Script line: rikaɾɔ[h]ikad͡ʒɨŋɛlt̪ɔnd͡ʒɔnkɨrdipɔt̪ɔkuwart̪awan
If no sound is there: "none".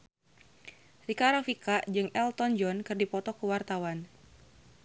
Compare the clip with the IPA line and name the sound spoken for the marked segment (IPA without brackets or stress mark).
f